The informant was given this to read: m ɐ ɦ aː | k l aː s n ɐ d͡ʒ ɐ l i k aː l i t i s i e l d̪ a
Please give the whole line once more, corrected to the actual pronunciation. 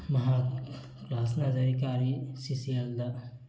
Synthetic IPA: m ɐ ɦ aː | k l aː s n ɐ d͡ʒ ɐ ɾ i k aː ɾ i s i s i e l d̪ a